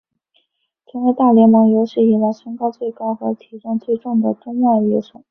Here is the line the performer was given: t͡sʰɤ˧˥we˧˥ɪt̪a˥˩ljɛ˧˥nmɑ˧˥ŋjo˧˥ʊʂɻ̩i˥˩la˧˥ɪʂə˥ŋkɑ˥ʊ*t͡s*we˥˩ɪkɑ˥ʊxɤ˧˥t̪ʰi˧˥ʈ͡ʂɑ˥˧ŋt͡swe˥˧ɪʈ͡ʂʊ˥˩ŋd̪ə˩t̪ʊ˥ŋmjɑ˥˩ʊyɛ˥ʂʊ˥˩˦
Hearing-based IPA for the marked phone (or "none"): t͡s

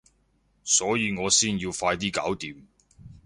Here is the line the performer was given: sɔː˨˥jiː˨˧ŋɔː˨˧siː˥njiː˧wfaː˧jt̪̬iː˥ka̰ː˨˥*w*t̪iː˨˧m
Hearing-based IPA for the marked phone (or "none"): w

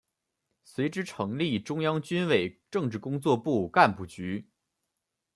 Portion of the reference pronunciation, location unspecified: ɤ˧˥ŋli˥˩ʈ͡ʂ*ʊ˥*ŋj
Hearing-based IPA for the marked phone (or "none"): ʊ˥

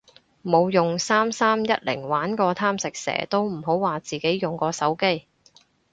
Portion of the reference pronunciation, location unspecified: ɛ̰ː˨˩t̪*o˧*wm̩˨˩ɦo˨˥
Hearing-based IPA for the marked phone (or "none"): o˥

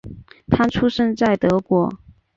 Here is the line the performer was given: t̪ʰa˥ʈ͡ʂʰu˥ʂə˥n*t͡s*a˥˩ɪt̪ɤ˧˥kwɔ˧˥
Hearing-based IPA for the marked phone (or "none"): t͡s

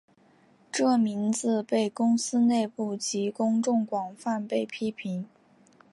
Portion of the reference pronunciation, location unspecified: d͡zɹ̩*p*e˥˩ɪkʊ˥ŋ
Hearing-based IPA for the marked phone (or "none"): p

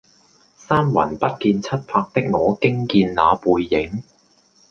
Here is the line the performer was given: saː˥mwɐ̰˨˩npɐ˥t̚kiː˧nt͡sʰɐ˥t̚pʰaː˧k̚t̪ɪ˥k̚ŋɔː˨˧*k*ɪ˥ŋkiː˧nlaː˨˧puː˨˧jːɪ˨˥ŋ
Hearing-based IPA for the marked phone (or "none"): k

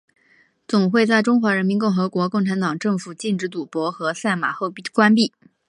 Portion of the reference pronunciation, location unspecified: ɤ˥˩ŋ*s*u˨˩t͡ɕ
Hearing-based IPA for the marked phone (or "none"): f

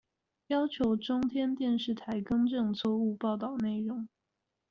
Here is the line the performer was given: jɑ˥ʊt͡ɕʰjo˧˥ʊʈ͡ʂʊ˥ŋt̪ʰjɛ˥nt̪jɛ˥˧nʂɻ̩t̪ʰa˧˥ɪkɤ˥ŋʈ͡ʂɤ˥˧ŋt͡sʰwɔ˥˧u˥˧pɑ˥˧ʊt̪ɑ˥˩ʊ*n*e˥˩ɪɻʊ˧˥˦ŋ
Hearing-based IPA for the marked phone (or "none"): n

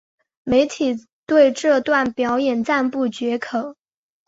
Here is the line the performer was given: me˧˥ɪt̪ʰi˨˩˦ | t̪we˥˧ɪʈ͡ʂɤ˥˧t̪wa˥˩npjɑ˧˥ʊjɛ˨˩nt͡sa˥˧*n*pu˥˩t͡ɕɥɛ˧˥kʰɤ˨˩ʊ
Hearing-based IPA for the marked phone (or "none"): n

